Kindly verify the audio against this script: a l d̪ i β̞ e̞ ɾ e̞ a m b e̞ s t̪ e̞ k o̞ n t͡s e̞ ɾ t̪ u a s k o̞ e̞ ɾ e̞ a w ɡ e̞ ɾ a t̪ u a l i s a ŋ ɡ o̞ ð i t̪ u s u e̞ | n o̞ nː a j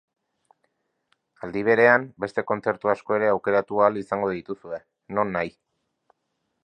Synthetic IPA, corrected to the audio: a l d̪ i β̞ e̞ ɾ e̞ a m b e̞ s t̪ e̞ k o̞ n t͡s e̞ ɾ t̪ u a s k o̞ e̞ ɾ e̞ a w k e̞ ɾ a t̪ u a l i s a ŋ ɡ o̞ ð i t̪ u s u e̞ | n o̞ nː a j